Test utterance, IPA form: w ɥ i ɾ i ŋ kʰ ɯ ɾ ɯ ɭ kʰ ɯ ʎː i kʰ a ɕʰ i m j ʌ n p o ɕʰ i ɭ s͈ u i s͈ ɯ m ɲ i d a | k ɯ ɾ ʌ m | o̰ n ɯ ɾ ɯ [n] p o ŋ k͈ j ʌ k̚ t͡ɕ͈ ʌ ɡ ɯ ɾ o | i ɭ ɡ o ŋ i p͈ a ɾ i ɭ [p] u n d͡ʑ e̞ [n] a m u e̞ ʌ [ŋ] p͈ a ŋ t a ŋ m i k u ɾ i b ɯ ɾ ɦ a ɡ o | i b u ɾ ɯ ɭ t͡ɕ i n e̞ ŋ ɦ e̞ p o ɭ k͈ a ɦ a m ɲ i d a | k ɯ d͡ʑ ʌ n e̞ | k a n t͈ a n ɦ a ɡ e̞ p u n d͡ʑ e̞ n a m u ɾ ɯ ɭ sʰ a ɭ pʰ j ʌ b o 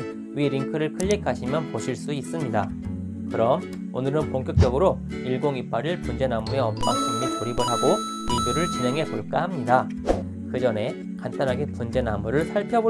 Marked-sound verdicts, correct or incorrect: correct, correct, correct, incorrect: m

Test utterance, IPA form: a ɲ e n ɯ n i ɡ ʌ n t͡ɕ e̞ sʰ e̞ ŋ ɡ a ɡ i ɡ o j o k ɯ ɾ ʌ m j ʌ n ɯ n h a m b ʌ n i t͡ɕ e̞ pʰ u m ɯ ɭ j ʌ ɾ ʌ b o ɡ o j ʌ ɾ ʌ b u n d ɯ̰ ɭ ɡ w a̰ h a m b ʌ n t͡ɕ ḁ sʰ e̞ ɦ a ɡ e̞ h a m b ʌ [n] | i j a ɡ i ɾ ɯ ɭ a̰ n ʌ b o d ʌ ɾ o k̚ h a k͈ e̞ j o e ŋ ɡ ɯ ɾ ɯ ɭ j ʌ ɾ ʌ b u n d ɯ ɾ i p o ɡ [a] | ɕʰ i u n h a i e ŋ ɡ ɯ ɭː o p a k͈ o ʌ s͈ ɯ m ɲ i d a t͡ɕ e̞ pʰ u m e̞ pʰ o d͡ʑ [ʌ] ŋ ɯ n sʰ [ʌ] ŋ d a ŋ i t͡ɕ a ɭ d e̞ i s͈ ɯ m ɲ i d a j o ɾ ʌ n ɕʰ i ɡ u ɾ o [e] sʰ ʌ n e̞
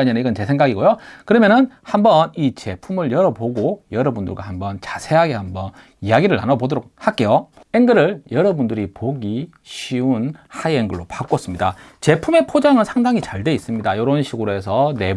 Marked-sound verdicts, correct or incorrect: correct, incorrect: i, incorrect: a, incorrect: a, correct

